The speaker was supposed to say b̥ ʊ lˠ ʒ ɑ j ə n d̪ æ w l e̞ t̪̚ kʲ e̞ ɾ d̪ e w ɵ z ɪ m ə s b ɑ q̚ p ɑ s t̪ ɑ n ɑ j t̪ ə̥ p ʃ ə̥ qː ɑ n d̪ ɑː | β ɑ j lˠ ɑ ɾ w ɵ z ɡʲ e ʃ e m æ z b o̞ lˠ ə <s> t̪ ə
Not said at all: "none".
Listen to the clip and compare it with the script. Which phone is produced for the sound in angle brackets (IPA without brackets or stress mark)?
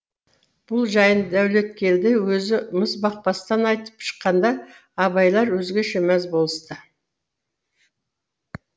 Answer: s